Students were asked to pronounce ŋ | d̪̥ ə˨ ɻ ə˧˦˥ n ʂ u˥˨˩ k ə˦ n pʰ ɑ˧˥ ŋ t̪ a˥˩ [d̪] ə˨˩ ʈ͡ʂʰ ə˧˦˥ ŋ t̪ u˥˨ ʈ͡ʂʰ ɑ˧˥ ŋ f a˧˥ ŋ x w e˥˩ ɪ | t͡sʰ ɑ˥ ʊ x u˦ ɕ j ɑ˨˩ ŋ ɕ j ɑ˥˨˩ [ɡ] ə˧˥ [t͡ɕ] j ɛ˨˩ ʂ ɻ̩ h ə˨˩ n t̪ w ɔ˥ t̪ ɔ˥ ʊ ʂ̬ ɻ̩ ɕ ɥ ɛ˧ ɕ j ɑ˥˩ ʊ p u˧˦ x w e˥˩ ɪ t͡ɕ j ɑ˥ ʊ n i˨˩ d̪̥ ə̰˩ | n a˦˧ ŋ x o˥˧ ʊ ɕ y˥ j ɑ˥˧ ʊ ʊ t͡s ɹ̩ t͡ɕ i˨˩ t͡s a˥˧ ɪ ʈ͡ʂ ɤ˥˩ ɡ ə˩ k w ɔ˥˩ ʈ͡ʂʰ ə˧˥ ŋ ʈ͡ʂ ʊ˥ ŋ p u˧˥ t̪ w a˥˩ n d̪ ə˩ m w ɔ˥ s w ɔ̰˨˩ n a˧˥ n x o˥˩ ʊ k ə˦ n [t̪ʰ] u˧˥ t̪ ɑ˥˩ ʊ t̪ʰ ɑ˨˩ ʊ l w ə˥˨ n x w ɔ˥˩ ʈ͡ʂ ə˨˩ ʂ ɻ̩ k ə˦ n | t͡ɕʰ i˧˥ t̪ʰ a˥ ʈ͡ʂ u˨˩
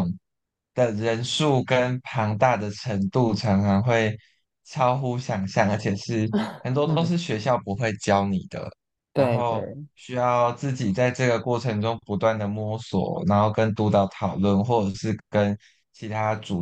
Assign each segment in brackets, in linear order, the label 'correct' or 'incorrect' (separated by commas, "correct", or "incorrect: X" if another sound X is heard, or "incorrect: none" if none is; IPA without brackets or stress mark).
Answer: correct, incorrect: ŋ, incorrect: t͡ɕʰ, incorrect: t̪